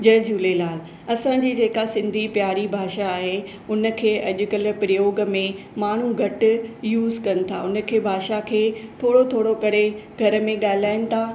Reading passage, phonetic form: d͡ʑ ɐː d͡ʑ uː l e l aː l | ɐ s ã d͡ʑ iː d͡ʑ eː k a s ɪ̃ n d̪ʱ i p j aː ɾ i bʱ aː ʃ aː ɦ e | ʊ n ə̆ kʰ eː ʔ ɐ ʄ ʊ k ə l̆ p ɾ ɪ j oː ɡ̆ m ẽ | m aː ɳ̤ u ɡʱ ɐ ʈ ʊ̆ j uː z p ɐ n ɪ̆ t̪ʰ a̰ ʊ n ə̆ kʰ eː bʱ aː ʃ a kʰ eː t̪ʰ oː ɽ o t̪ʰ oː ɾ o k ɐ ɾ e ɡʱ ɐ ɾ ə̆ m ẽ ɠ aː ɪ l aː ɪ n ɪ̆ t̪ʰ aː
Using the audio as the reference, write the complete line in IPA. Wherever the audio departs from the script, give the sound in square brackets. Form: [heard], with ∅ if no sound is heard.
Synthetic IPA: d͡ʑ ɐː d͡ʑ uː l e l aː l | ɐ s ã d͡ʑ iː d͡ʑ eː k a s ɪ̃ n d̪ʱ i p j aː ɾ i bʱ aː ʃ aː ɦ e | ʊ n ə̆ kʰ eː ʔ ɐ ʄ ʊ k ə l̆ p ɾ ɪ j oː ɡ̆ m ẽ | m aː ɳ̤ u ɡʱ ɐ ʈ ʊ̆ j uː z [k] ɐ n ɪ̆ t̪ʰ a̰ ʊ n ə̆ kʰ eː bʱ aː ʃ a kʰ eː t̪ʰ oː ɽ o t̪ʰ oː [ɽ] o k ɐ ɾ e ɡʱ ɐ ɾ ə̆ m ẽ ɠ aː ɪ l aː ɪ n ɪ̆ t̪ʰ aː